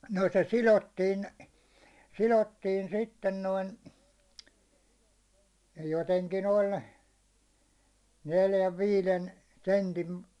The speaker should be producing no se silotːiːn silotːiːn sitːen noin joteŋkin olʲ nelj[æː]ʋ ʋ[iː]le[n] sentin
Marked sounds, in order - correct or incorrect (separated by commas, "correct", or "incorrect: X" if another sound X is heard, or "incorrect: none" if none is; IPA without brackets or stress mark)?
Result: incorrect: æ, correct, correct